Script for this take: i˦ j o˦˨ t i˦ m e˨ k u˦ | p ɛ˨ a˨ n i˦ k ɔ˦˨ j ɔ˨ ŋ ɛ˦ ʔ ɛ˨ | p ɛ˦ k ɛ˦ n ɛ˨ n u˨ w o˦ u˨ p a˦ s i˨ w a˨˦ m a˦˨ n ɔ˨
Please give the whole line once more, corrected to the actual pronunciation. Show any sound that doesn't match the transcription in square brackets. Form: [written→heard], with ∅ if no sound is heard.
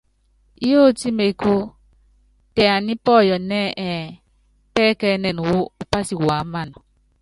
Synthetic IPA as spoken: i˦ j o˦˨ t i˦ m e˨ k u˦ | [p→t] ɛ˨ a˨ n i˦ [k→p] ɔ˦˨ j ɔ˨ [ŋ→n] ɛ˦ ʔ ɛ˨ | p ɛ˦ k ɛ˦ n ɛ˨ n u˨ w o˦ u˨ p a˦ s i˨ w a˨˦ m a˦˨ n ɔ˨